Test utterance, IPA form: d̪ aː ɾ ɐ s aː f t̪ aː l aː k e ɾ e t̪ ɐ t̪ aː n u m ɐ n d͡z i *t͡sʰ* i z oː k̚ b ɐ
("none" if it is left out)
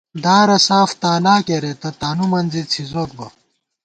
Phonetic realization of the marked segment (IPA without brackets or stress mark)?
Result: t͡sʰ